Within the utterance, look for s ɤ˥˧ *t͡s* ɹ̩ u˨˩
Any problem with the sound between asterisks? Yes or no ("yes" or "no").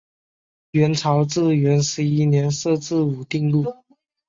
no